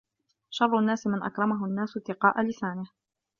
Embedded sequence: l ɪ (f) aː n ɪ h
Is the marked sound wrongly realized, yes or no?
yes